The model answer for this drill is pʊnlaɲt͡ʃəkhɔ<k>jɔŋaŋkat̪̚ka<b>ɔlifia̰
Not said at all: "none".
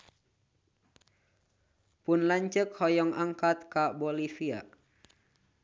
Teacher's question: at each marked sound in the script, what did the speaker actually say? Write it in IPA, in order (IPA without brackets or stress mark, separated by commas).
none, b